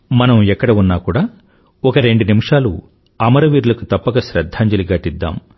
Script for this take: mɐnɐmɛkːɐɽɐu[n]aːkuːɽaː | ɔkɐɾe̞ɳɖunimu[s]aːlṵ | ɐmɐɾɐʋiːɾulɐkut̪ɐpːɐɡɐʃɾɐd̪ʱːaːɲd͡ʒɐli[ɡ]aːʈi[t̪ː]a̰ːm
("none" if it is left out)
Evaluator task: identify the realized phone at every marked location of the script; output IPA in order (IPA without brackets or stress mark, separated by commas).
nː, ʂ, ɡ, d̪ː